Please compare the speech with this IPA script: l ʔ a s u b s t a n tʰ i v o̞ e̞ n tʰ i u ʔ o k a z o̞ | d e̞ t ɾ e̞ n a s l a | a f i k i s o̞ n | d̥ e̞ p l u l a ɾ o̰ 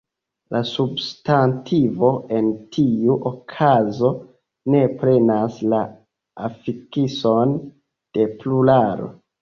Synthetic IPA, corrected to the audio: l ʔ a s u b s t a n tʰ i v o̞ e̞ n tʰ i u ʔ o kʰ a z o̞ | n e̞ p ɾ e̞ n a s l a | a f i k i s o̞ n | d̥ e̞ p l u l a ɾ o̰